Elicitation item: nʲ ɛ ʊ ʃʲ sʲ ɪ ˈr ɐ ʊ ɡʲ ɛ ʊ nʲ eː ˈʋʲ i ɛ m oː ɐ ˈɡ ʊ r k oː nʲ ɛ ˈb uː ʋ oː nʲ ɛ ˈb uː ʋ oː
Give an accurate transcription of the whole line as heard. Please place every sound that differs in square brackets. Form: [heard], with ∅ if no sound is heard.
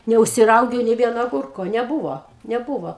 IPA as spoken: nʲ ɛ ʊ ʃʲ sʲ ɪ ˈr ɐ ʊ ɡʲ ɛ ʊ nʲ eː ˈʋʲ i ɛ [n] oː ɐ ˈɡ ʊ r k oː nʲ ɛ ˈb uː ʋ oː nʲ ɛ ˈb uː ʋ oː

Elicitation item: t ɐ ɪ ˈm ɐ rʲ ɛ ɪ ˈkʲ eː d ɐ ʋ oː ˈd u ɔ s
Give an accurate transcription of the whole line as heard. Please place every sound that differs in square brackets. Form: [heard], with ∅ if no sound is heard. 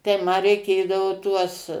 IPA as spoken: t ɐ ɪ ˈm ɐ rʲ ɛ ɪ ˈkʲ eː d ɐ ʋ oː [ˈt] u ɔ s

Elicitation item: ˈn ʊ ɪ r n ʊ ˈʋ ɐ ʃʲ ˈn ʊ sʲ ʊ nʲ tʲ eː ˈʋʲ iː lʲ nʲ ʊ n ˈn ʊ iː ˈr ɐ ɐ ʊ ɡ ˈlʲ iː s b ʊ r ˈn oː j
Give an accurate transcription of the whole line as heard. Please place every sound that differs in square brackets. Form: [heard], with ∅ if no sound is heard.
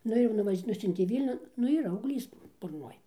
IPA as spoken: ˈn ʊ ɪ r n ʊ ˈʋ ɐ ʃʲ ˈn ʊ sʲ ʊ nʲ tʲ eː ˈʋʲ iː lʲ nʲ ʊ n ˈn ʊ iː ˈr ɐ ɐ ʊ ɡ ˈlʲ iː s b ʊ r ˈn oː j

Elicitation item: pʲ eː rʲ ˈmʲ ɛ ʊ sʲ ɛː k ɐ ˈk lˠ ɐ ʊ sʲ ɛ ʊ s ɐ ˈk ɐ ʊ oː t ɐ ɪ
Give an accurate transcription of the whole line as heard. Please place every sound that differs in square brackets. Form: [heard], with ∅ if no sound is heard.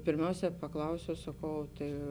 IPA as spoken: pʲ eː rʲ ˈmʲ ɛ ʊ sʲ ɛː [p] ɐ ˈk lˠ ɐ ʊ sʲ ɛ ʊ s ɐ ˈk ɐ ʊ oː t ɐ ɪ

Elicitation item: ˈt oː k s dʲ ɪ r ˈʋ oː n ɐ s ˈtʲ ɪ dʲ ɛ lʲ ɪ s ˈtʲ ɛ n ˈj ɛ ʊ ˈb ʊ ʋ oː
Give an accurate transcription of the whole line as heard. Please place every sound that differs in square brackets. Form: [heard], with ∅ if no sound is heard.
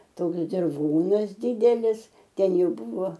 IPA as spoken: ˈt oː k s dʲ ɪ r ˈʋ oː n ɐ s [ˈdʲ] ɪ dʲ ɛ lʲ ɪ s ˈtʲ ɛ n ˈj ɛ ʊ ˈb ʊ ʋ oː

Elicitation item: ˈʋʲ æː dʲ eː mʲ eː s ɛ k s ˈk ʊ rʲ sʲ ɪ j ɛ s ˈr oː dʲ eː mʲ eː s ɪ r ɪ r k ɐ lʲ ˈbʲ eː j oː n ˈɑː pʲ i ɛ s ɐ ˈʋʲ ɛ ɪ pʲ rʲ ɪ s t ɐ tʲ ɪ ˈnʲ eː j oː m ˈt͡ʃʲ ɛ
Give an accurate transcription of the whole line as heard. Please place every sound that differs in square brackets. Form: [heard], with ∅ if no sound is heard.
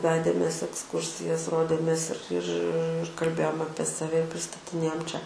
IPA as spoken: ˈʋʲ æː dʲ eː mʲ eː s ɛ k s ˈk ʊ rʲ sʲ ɪ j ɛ s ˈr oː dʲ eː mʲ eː s ɪ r ɪ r k ɐ lʲ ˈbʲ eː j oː [m] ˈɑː pʲ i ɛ s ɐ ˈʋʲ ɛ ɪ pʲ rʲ ɪ s t ɐ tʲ ɪ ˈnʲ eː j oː m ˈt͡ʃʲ ɛ

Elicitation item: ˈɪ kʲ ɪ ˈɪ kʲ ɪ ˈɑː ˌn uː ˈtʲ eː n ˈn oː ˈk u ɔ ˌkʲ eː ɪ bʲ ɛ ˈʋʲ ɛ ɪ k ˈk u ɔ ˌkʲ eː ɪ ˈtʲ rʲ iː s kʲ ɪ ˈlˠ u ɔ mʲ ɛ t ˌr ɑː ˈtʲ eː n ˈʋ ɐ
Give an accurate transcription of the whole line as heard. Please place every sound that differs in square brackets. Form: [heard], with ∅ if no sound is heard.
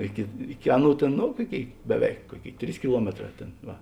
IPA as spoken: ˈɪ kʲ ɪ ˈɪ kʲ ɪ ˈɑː ˌn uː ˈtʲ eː n ˈn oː ˈk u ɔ ˌkʲ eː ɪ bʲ ɛ ˈʋʲ ɛ ɪ k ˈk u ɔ ˌkʲ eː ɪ ˈtʲ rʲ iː s kʲ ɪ ˈlˠ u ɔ mʲ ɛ t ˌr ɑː ˈtʲ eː n ˈʋ ɐ

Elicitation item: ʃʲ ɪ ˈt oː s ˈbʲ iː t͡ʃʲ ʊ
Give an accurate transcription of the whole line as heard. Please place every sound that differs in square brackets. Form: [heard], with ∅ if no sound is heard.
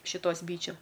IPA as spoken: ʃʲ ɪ ˈt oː s ˈbʲ iː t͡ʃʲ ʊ

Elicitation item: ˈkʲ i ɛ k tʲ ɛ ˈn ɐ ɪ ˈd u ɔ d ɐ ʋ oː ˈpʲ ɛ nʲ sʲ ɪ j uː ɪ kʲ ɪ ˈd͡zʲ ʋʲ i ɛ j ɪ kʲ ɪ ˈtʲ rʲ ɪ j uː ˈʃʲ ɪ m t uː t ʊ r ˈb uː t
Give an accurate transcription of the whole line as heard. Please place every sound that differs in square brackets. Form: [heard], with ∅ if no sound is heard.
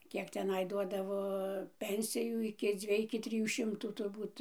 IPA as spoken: ˈkʲ i ɛ k tʲ ɛ ˈn ɐ ɪ ˈd u ɔ d ɐ ʋ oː ˈpʲ ɛ nʲ sʲ ɪ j uː ɪ kʲ ɪ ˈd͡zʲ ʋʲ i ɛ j ɪ kʲ ɪ ˈtʲ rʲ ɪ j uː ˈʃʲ ɪ m t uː t ʊ r ˈb uː t

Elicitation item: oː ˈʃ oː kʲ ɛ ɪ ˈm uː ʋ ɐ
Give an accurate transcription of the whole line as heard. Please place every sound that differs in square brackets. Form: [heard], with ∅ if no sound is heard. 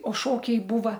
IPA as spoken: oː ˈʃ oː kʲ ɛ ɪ [ˈb] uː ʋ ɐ

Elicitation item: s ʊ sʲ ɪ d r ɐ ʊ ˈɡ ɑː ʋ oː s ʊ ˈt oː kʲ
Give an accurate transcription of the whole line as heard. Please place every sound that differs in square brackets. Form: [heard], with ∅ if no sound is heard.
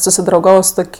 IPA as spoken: s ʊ sʲ ɪ d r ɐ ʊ ˈɡ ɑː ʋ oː s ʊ ˈt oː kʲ

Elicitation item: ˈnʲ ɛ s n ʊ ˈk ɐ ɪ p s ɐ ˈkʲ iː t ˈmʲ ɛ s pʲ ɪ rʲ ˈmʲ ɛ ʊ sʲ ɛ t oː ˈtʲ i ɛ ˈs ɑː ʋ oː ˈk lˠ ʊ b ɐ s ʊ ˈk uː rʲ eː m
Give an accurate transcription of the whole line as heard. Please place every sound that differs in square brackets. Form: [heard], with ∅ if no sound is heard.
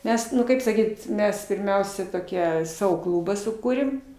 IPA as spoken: [ˈmʲ] ɛ s n ʊ ˈk ɐ ɪ p s ɐ ˈkʲ iː t ˈmʲ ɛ s pʲ ɪ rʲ ˈmʲ ɛ ʊ sʲ ɛ t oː [ˈkʲ] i ɛ ˈs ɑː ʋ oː ˈk lˠ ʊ b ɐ s ʊ ˈk uː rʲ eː m

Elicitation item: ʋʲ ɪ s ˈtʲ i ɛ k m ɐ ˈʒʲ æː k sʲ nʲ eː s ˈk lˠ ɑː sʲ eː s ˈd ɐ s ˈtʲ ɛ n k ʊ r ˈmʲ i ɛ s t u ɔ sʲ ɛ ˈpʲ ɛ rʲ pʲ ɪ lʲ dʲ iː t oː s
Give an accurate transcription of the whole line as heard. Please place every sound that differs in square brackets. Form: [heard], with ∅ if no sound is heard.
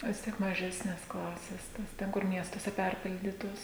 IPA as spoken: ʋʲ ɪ s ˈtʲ i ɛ k m ɐ ˈʒʲ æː [∅] sʲ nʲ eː s ˈk lˠ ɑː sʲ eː s [ˈt] ɐ s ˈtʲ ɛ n k ʊ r ˈmʲ i ɛ s t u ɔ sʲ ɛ ˈpʲ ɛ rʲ pʲ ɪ lʲ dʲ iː t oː s

